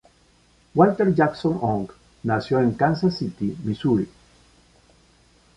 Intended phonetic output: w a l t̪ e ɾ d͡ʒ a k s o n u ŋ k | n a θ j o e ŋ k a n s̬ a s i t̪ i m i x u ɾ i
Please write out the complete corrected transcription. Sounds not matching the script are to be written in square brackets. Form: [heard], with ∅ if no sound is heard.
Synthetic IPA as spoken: w a l t̪ e ɾ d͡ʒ a k s o n [o] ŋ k | n a [s] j o e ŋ k a n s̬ a s i t̪ i m i [s] u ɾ i